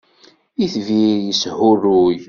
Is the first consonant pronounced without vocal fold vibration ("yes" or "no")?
yes